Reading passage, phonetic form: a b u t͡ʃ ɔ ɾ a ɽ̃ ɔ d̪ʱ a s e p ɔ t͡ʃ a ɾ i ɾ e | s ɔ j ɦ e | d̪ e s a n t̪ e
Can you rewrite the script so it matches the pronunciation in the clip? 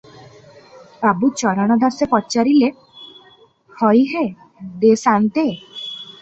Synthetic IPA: a b u t͡ʃ ɔ ɾ a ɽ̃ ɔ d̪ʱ a s e p ɔ t͡ʃ a ɾ i l e | h ɔ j ɦ e | d̪ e s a n t̪ e